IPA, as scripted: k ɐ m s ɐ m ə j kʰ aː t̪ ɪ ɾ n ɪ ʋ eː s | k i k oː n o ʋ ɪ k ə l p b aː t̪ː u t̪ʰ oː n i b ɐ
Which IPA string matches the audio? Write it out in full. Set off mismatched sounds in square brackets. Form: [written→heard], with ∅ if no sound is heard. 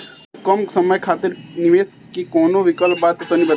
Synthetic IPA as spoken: k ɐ m s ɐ m ə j kʰ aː t̪ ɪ ɾ n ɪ ʋ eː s | k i k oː n o ʋ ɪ k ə l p b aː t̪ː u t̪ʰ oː n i b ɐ